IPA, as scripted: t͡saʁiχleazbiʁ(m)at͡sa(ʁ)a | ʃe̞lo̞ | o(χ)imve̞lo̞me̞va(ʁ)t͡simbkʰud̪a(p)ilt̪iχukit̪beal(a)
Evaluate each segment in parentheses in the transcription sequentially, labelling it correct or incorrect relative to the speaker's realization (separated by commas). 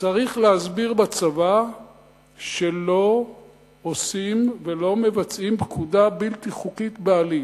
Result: incorrect, incorrect, incorrect, incorrect, incorrect, incorrect